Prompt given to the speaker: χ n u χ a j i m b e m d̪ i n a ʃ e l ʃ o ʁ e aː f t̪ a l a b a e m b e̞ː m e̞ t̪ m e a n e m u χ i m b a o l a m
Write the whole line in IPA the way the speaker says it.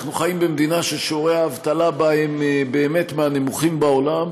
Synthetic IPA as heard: χ n u χ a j i m b e m d̪ i n a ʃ e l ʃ o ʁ e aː v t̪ a l a b a e m b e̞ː m e̞ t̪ m e a n e m u χ i m b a o l a m